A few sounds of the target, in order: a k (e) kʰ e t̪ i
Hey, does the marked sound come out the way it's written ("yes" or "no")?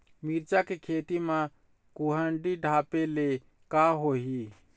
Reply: yes